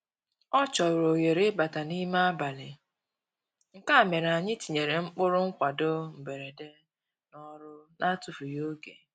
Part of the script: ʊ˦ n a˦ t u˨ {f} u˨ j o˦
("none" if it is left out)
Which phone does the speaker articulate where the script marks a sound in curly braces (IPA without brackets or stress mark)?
f